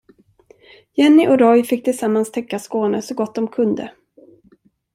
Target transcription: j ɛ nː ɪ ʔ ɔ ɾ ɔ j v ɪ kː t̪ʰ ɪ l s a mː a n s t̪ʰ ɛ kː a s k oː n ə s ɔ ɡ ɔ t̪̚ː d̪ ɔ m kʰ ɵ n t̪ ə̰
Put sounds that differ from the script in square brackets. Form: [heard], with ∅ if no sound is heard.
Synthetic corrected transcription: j ɛ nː ɪ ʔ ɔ ɾ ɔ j [f] ɪ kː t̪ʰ ɪ l s a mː a n s t̪ʰ ɛ kː a s k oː n ə s ɔ ɡ ɔ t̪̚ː d̪ ɔ m kʰ ɵ n [d̪] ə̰